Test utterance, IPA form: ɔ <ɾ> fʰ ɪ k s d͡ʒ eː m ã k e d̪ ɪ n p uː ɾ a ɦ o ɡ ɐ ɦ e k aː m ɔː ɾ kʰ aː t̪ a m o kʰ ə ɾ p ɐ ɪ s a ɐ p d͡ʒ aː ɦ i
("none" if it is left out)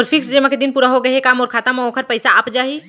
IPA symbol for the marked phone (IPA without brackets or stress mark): ɾ